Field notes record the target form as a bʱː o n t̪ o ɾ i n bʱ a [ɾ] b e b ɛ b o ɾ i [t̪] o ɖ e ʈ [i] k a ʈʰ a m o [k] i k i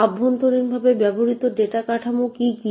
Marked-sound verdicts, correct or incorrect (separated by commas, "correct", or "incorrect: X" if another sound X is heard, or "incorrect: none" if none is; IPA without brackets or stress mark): incorrect: none, correct, incorrect: a, correct